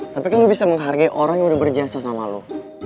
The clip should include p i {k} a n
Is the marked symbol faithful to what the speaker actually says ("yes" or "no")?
yes